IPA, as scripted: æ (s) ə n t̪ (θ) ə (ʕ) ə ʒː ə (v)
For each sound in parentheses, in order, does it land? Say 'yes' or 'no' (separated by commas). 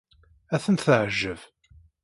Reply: no, yes, yes, yes